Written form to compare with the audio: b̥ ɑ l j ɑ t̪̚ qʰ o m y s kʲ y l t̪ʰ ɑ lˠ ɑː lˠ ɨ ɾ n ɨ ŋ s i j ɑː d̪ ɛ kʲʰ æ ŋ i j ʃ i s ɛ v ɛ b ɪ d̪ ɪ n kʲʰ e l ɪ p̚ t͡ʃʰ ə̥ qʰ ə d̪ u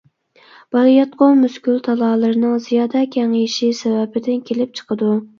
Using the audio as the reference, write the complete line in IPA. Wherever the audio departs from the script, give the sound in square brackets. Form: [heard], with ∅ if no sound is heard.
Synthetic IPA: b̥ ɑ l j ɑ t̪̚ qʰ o m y s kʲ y l t̪ʰ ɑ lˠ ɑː lˠ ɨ ɾ n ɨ ŋ [z] i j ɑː d̪ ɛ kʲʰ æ ŋ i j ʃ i s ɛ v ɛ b ɪ d̪ ɪ n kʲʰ e l ɪ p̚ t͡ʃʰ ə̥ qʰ ə d̪ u